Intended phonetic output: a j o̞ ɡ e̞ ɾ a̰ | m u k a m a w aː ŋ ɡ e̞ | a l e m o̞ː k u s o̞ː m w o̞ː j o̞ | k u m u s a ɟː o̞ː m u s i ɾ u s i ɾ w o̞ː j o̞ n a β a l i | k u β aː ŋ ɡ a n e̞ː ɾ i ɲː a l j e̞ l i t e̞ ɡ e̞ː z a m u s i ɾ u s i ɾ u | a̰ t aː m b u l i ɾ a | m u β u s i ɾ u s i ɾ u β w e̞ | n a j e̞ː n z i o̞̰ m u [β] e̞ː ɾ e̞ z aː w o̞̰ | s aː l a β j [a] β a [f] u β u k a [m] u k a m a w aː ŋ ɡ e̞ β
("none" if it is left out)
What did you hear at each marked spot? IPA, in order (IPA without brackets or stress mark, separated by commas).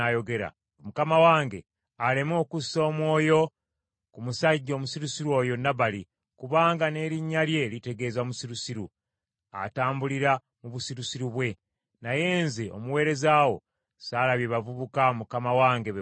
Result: w, e, v, m